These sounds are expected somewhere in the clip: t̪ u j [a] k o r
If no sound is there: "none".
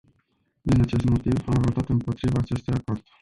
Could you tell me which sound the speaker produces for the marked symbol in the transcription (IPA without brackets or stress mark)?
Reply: a